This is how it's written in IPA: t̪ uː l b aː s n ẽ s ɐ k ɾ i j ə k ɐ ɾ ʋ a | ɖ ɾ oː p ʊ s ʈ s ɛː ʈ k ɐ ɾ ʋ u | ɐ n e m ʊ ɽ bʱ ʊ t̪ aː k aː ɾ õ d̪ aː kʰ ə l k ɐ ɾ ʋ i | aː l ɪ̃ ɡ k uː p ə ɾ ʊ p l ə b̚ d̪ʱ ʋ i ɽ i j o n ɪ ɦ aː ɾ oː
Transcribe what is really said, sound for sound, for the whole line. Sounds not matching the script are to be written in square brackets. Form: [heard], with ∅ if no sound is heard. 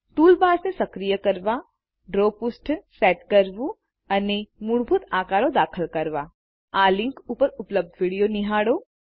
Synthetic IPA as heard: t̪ uː l b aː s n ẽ s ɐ k ɾ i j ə k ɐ ɾ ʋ a | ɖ ɾ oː p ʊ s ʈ s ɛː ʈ k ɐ ɾ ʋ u | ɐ n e m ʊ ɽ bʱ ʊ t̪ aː k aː ɾ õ d̪ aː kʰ ə l k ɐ ɾ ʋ [a] | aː l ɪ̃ [ŋ] k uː p ə ɾ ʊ p l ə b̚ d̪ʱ ʋ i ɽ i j o n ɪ ɦ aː [ɽ] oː